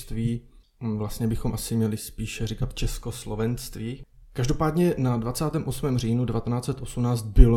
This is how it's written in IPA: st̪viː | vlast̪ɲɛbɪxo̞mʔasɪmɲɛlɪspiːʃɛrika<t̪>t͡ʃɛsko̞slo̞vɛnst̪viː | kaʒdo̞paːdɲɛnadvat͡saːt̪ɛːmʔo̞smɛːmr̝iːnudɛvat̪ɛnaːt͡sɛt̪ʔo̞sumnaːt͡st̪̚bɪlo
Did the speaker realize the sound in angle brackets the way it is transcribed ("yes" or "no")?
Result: yes